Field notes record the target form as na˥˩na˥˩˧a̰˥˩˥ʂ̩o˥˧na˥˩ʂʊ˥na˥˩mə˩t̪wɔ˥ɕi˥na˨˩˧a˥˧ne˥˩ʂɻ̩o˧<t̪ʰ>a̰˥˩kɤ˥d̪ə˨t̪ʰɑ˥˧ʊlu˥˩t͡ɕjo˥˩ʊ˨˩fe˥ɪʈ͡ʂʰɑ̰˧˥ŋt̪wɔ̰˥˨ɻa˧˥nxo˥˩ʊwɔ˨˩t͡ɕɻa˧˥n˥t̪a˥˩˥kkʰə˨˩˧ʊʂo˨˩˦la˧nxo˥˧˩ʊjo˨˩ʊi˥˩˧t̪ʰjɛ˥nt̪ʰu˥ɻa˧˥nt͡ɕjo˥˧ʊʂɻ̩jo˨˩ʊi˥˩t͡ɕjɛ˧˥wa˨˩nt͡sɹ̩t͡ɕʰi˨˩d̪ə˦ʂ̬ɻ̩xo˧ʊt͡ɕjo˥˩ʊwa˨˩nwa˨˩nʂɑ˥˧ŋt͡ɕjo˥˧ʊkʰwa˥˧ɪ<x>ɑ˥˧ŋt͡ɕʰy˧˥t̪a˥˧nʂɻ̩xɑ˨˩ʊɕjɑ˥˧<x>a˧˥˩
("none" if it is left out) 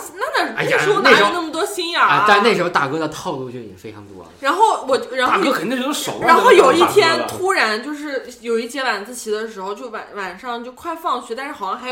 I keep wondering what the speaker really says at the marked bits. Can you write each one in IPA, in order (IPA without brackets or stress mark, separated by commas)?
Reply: t̪, f, x